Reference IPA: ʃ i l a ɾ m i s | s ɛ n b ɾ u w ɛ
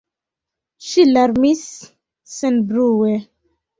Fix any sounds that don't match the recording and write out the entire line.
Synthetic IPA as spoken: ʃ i l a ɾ m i s | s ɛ n b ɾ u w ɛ